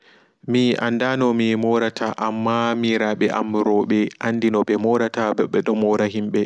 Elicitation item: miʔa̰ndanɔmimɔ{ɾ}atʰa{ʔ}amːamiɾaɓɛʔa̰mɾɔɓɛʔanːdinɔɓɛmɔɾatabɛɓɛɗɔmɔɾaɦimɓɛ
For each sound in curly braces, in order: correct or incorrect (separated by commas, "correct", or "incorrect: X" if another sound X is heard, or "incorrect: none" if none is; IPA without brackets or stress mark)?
correct, correct